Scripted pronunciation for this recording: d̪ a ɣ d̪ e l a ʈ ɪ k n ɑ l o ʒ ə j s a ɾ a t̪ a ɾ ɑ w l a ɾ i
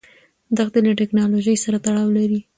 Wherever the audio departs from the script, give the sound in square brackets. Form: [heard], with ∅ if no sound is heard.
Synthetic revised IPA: d̪ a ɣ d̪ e l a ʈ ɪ k n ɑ l o ʒ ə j s a ɾ a t̪ a [ɽ] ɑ w l a ɾ i

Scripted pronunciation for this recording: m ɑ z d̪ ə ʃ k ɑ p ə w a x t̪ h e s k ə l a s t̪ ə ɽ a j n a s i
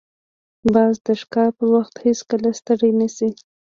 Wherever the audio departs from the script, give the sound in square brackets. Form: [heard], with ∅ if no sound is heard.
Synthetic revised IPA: [b] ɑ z d̪ ə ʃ k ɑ p ə w a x t̪ h e s k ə l a s t̪ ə ɽ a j n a s i

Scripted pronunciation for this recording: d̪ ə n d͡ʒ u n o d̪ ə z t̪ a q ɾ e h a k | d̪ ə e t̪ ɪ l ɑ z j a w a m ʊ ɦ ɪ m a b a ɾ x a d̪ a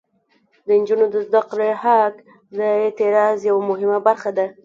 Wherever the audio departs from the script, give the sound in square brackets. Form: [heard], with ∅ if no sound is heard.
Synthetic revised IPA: d̪ ə n d͡ʒ u n o d̪ ə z [d̪] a q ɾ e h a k | d̪ ə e t̪ ɪ [ɾ] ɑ z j a w a m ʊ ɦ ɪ m a b a ɾ x a d̪ a

